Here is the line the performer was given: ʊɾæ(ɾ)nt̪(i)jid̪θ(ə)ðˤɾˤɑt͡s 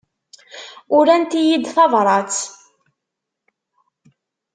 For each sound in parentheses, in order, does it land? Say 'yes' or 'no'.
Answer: no, yes, no

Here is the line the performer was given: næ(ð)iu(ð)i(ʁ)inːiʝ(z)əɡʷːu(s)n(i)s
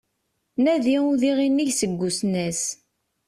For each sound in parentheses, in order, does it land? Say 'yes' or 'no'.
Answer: yes, yes, yes, no, yes, no

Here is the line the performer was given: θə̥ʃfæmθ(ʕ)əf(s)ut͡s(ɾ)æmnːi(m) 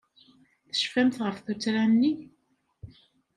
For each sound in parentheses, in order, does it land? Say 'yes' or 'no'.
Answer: no, no, yes, no

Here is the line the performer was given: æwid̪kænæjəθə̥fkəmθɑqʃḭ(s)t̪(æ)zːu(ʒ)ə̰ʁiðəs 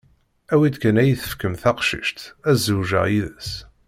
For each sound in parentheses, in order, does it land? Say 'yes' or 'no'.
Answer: no, yes, yes

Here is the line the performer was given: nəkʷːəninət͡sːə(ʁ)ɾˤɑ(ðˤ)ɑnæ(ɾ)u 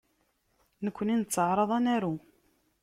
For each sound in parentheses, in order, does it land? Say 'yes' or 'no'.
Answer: no, yes, yes

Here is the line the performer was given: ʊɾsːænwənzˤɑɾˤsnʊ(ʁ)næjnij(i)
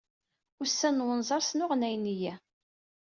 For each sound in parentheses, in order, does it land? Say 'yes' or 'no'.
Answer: yes, no

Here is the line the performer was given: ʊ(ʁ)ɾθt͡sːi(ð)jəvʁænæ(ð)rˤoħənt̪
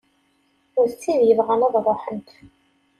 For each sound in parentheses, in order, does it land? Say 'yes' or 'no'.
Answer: no, yes, yes

